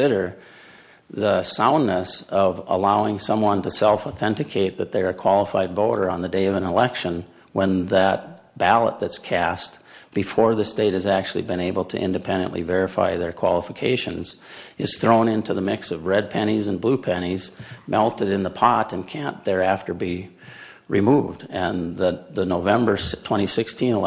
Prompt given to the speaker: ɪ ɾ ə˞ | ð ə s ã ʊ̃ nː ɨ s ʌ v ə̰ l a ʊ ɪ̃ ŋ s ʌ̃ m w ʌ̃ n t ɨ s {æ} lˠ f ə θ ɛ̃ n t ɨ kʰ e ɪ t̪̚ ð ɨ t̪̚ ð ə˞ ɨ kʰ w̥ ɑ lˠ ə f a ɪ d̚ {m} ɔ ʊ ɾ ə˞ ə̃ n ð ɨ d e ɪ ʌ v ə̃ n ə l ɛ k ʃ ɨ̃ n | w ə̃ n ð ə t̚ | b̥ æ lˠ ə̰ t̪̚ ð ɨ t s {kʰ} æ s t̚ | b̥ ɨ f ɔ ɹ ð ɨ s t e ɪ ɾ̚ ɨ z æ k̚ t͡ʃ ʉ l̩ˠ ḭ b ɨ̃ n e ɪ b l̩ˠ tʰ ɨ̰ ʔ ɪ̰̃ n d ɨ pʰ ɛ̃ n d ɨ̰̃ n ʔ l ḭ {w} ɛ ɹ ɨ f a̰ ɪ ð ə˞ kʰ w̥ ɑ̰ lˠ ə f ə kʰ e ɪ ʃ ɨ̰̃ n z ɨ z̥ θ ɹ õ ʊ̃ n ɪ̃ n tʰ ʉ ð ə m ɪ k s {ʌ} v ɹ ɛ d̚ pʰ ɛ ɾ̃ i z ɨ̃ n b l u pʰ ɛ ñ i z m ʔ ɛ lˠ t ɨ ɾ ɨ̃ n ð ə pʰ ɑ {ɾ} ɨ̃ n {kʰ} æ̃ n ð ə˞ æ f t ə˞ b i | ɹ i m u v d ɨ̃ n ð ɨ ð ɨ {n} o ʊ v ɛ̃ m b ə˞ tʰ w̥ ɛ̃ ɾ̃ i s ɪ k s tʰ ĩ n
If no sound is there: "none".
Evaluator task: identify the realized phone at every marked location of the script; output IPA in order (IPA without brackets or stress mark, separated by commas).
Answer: ɛ, b, kʰ, v, ʌ, ɾ, kʰ, n